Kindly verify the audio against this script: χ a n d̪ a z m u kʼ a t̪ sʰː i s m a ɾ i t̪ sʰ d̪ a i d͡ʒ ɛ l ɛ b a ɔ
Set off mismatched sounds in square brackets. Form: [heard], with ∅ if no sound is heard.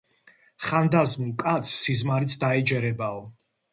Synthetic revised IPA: χ a n d̪ a z m u kʼ a t̪ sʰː i [z] m a ɾ i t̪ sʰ d̪ a [ɛ] d͡ʒ ɛ [ɾ] ɛ b a ɔ

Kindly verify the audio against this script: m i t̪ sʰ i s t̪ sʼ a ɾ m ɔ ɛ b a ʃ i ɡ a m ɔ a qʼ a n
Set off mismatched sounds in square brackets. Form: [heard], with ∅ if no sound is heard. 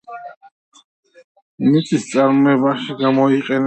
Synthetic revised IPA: m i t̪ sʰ i s t̪ sʼ a ɾ m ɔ ɛ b a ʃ i ɡ a m ɔ [i] qʼ [ɛ] n

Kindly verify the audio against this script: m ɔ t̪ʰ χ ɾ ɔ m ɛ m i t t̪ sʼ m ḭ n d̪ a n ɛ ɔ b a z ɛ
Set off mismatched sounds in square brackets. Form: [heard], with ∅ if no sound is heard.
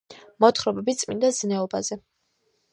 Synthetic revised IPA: m ɔ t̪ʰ χ ɾ ɔ [b] ɛ [b] i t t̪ sʼ m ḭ n d̪ a n ɛ ɔ b a z ɛ

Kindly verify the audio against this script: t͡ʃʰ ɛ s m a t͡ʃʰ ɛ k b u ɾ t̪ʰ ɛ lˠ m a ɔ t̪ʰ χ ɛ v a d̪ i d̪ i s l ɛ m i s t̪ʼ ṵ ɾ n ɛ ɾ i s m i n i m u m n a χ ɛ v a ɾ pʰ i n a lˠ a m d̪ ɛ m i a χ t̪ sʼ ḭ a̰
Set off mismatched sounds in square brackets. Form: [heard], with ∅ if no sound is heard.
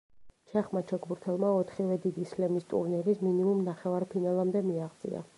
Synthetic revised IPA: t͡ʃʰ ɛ [χ] m a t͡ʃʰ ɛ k b u ɾ t̪ʰ ɛ lˠ m a ɔ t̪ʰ χ [i] v [ɛ] d̪ i d̪ i s l ɛ m i s t̪ʼ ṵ ɾ n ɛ ɾ i s m i n i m u m n a χ ɛ v a ɾ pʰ i n a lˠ a m d̪ ɛ m i a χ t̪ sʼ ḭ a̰

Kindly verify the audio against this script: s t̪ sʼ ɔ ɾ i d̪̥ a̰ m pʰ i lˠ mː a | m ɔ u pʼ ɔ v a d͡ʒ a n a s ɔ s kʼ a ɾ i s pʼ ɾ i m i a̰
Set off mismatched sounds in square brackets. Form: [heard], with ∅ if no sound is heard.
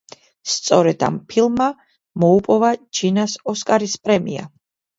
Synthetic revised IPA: s t̪ sʼ ɔ ɾ [ɛ] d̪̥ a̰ m pʰ i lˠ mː a | m ɔ u pʼ ɔ v a d͡ʒ [i] n a s ɔ s kʼ a ɾ i s pʼ ɾ [ɛ] m i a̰

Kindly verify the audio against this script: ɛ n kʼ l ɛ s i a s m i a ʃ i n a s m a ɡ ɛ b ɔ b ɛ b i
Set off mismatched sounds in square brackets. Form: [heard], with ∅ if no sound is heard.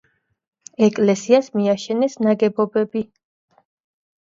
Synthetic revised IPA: ɛ [∅] kʼ l ɛ s i a s m i a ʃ [ɛ] n [ɛ] s [n] a ɡ ɛ b ɔ b ɛ b i

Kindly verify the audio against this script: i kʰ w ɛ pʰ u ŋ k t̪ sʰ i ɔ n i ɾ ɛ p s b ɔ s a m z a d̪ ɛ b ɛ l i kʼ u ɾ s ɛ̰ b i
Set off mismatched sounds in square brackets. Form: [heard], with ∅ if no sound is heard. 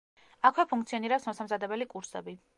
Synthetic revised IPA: [a] kʰ w ɛ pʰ u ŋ k t̪ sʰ i ɔ n i ɾ ɛ p s [m] ɔ s a m z a d̪ ɛ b ɛ l i kʼ u ɾ s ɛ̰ b i

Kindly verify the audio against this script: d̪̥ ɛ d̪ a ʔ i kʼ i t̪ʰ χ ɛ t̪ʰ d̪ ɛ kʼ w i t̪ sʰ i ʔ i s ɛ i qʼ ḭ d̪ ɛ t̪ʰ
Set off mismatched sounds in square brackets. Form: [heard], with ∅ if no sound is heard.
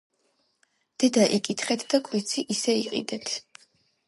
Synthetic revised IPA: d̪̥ ɛ d̪ a ʔ i kʼ i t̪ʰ χ ɛ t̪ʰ d̪ [a] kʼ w i t̪ sʰ i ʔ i s ɛ i qʼ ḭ d̪ ɛ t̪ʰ

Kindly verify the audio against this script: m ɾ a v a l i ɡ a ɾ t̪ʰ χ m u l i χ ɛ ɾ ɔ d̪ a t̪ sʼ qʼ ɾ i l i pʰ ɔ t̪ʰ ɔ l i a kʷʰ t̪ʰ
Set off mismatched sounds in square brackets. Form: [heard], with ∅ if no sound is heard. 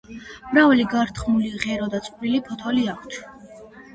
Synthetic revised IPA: m ɾ a v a l i ɡ a ɾ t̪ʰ χ m u l i [ʁ] ɛ ɾ ɔ d̪ a t̪ sʼ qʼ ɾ i l i pʰ ɔ t̪ʰ ɔ l i a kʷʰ t̪ʰ

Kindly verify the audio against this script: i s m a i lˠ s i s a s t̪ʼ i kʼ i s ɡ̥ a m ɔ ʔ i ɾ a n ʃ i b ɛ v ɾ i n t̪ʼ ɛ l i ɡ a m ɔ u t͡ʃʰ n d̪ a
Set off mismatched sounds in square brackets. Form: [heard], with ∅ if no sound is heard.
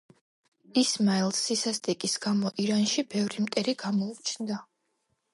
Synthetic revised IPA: i s m a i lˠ s i s a s t̪ʼ i kʼ i s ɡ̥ a m ɔ ʔ i ɾ a n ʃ i b ɛ v ɾ i [m] t̪ʼ ɛ [ɾ] i ɡ a m ɔ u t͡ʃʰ n d̪ a

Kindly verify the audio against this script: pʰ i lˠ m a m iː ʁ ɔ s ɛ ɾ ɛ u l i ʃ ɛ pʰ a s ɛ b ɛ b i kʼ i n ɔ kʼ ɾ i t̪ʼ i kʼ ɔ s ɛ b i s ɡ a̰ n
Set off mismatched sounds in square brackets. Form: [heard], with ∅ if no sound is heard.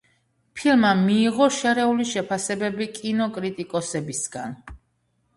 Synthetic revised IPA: pʰ i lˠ m a m iː ʁ ɔ [ʃ] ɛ ɾ ɛ u l i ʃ ɛ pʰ a s ɛ b ɛ b i kʼ i n ɔ kʼ ɾ i t̪ʼ i kʼ ɔ s ɛ b i s ɡ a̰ n

